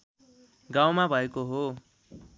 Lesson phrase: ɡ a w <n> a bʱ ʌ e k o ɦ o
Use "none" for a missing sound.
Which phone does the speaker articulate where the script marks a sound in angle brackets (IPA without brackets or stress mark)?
m